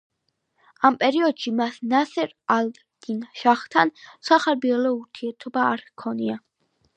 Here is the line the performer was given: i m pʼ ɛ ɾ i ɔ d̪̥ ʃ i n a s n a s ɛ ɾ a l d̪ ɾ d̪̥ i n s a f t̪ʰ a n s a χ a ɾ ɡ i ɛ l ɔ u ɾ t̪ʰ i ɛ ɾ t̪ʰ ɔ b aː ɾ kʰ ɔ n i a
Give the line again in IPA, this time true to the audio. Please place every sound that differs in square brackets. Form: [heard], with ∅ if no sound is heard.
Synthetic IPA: [a] m pʼ ɛ ɾ i ɔ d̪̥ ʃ i [m] a s n a s ɛ ɾ a l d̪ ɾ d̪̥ i n [ʃ] a [χ] t̪ʰ a n s a χ a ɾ [b] i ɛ l ɔ u ɾ t̪ʰ i ɛ ɾ t̪ʰ ɔ b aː ɾ kʰ ɔ n i a

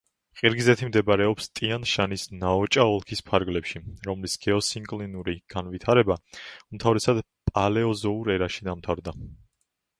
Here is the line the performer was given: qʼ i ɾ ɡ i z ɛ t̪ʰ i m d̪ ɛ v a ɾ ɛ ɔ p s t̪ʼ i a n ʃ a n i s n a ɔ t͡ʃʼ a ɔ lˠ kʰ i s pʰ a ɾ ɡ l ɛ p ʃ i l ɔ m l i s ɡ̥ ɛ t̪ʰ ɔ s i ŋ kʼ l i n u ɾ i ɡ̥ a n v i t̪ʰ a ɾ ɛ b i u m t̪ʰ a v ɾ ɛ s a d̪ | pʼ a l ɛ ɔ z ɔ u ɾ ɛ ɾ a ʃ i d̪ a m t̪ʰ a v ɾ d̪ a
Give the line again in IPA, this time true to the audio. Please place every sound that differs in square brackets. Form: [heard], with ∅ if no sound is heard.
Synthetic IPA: qʼ i ɾ ɡ i z ɛ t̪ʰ i m d̪ ɛ [b] a ɾ ɛ ɔ p s t̪ʼ i a n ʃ a n i s n a ɔ t͡ʃʼ a ɔ lˠ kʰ i s pʰ a ɾ ɡ l ɛ p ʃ i [ɾ] ɔ m l i s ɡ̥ ɛ [∅] ɔ s i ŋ kʼ l i n u ɾ i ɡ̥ a n v i t̪ʰ a ɾ ɛ b [a] u m t̪ʰ a v ɾ ɛ s a d̪ | pʼ a l ɛ ɔ z ɔ u ɾ ɛ ɾ a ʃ i d̪ a m t̪ʰ a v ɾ d̪ a

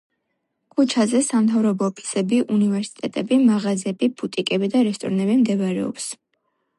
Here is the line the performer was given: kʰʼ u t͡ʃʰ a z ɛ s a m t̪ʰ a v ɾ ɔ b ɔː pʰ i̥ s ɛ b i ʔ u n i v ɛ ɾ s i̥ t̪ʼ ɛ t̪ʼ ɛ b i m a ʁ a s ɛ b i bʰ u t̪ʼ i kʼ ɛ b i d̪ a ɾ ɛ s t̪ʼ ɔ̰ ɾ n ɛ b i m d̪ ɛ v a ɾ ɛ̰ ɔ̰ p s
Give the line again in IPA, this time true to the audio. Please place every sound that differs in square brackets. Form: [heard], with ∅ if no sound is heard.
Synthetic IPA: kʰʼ u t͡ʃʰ a z ɛ s a m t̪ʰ a v ɾ ɔ b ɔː pʰ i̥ s ɛ b i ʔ u n i v ɛ ɾ s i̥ t̪ʼ ɛ t̪ʼ ɛ b i m a ʁ a [z] ɛ b i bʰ u t̪ʼ i kʼ ɛ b i d̪ a ɾ ɛ s t̪ʼ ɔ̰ ɾ n ɛ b i m d̪ ɛ v a ɾ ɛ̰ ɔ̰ p s

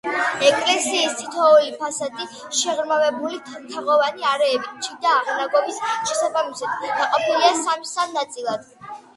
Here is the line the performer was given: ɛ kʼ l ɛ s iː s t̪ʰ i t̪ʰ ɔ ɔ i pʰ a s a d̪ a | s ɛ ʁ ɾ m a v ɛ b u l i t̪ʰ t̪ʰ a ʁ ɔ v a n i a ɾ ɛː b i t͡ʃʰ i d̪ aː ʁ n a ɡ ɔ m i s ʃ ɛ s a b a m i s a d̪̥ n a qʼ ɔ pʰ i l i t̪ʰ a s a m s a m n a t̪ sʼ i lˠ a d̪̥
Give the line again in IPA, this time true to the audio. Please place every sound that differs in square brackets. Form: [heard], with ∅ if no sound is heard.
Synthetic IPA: ɛ kʼ l ɛ s iː s t̪ʰ i t̪ʰ ɔ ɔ i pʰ a s a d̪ [i] | [ʃ] ɛ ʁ ɾ m a v ɛ b u l i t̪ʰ t̪ʰ a ʁ ɔ v a n i a ɾ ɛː b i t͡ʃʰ i d̪ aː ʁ n a ɡ ɔ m i s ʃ ɛ s a b a m i s a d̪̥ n a qʼ ɔ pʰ i l i [∅] a s a m s a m n a t̪ sʼ i lˠ a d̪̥

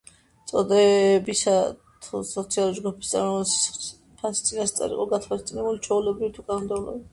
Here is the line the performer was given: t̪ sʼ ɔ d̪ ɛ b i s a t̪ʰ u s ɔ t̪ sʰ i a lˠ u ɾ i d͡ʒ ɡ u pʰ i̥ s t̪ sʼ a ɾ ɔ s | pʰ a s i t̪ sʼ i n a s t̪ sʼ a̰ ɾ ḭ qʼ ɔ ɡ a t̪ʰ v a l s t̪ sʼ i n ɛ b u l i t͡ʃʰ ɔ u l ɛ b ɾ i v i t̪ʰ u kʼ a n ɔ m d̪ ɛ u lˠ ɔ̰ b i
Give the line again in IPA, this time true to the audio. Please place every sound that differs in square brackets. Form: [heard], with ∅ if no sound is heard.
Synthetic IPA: t̪ sʼ ɔ d̪ ɛ b i s a t̪ʰ u s ɔ t̪ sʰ i a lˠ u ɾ i d͡ʒ ɡ u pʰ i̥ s t̪ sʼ a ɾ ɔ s | pʰ a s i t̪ sʼ i n a s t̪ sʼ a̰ ɾ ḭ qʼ ɔ ɡ a t̪ʰ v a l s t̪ sʼ i n ɛ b u l i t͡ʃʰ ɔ u l ɛ b ɾ i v i t̪ʰ u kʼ a n ɔ m d̪ ɛ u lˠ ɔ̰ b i

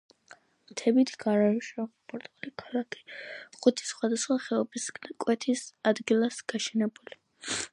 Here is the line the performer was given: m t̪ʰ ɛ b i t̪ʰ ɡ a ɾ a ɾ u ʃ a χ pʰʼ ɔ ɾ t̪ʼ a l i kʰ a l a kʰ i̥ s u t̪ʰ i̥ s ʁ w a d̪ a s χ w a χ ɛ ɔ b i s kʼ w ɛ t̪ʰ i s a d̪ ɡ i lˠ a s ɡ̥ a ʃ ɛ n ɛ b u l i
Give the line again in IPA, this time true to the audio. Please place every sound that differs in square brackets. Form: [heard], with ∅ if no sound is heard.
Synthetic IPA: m t̪ʰ ɛ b i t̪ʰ ɡ a ɾ a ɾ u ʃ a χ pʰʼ ɔ ɾ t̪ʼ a l i kʰ a l a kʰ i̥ [χ] u t̪ʰ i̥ s [χ] w a d̪ a s χ w a χ ɛ ɔ b i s kʼ w ɛ t̪ʰ i s a d̪ ɡ i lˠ a s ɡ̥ a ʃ ɛ n ɛ b u l i

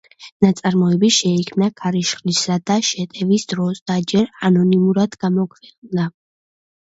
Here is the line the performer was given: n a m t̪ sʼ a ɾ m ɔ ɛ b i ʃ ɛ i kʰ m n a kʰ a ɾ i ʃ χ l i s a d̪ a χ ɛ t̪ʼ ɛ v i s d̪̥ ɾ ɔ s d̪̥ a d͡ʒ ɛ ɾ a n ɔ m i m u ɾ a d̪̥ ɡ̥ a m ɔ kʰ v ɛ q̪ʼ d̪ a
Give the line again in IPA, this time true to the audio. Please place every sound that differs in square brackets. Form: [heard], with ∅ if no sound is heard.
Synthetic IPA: n a [∅] t̪ sʼ a ɾ m ɔ ɛ b i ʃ ɛ i kʰ m n a kʰ a ɾ i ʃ χ l i s a d̪ a [ʃ] ɛ t̪ʼ ɛ v i s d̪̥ ɾ ɔ s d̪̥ a d͡ʒ ɛ ɾ a n ɔ [n] i m u ɾ a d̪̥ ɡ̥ a m ɔ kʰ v ɛ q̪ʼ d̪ a

